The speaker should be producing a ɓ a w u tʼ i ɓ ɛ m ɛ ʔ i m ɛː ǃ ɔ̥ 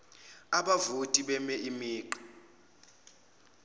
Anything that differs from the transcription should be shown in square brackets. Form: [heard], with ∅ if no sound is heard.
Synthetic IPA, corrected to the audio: a ɓ a [v] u tʼ i ɓ ɛ m ɛ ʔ i m [iː] ǃ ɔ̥